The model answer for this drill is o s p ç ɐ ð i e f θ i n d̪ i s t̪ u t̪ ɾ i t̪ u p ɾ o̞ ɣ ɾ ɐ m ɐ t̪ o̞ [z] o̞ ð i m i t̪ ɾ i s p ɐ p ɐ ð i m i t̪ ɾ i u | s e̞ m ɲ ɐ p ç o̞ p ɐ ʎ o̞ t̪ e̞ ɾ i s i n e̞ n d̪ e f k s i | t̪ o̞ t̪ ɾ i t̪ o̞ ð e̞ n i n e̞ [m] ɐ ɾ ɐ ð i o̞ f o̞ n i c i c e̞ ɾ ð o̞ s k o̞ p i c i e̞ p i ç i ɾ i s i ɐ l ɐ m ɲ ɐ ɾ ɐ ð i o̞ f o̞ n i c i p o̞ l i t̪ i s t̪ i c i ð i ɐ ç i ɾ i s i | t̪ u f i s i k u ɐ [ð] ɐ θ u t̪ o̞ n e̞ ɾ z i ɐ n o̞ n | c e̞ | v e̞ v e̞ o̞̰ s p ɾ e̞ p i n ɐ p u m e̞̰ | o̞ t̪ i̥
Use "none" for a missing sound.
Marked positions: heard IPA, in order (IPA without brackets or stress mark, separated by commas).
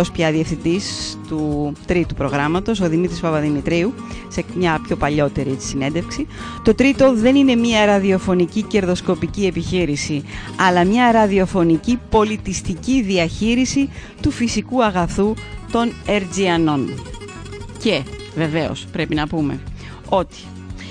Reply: s, m, ɣ